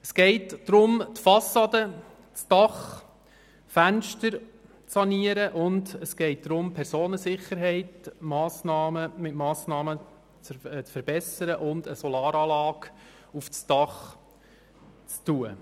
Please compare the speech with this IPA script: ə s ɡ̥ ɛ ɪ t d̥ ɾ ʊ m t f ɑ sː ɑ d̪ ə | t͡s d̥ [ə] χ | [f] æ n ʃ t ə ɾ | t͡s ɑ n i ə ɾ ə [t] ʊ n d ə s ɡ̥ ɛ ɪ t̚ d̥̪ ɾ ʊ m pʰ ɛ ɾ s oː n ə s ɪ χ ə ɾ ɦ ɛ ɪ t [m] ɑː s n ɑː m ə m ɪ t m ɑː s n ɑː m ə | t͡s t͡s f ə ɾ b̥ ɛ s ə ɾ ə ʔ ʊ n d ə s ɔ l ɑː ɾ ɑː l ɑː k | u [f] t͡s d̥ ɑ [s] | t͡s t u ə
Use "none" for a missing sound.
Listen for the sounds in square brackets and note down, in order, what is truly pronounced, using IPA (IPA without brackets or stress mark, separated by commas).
ɑ, f, ʔ, m, f, χ